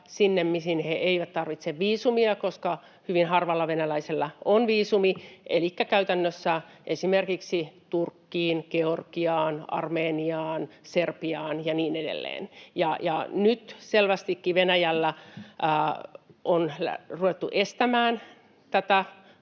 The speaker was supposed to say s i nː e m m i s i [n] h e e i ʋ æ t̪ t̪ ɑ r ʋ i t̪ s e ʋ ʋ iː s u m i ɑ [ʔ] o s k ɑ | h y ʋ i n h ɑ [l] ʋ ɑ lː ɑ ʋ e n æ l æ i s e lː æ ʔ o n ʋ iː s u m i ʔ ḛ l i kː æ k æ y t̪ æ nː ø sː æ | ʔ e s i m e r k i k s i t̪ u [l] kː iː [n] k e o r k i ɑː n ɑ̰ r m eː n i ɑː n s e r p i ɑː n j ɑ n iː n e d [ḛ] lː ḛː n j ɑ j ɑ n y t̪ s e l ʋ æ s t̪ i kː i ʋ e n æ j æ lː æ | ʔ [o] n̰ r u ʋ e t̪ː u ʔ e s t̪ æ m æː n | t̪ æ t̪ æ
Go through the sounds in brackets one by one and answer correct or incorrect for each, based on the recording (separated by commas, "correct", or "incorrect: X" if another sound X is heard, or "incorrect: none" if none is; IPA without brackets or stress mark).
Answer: correct, incorrect: k, incorrect: r, incorrect: r, correct, correct, correct